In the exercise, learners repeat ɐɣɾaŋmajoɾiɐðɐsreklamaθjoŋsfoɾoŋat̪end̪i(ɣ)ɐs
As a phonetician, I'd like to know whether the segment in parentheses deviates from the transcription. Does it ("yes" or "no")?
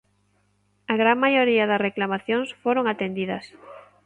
yes